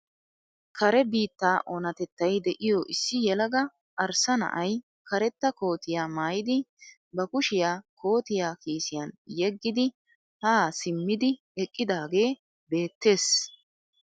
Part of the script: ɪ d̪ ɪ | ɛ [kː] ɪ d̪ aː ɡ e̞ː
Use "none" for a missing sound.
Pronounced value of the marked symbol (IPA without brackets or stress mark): kʼː